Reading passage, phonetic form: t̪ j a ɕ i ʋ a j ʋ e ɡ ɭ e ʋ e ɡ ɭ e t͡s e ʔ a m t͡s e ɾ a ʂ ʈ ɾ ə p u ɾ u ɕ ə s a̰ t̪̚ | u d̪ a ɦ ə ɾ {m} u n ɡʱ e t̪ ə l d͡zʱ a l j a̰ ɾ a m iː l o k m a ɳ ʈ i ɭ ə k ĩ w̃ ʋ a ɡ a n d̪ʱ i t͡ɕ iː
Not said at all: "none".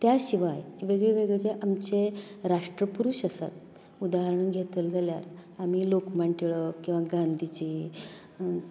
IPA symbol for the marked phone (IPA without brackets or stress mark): ɳ